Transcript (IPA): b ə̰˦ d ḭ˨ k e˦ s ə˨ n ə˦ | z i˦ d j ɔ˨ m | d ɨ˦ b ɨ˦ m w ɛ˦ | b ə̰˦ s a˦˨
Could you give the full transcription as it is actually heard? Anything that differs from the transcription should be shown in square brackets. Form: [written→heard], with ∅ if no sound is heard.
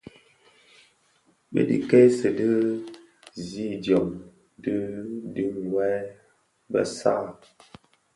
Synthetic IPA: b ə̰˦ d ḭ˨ k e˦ s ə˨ [n→d] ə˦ | z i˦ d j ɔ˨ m | d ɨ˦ [b→d] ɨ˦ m w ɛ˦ | b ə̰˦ s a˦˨